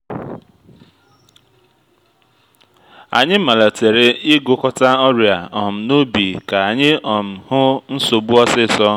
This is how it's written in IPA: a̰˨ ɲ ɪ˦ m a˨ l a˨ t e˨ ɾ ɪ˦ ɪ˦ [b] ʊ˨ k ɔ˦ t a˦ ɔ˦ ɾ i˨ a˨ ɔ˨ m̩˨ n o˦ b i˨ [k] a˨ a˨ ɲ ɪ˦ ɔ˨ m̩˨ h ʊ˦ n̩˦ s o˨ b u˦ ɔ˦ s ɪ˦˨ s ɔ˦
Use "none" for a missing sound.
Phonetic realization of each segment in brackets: ɡ, k

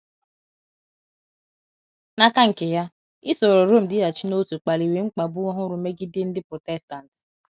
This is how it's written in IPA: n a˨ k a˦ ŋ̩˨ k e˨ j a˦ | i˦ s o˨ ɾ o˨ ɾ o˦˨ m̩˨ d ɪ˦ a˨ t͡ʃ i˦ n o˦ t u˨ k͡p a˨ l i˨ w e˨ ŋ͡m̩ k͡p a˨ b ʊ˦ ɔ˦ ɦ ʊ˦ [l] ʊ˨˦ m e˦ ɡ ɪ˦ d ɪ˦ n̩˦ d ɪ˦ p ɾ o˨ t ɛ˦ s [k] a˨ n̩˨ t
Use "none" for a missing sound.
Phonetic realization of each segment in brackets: ɾ, t

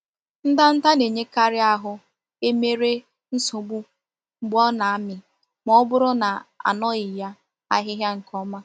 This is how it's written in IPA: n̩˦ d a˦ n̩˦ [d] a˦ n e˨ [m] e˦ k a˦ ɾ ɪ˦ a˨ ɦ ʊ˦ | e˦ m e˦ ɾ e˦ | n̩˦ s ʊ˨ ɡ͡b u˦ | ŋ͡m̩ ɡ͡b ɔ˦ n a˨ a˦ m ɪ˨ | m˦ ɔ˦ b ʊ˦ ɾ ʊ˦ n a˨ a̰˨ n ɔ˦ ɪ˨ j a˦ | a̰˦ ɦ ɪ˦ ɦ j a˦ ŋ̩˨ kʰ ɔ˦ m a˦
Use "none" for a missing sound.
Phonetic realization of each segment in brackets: t, ɲ

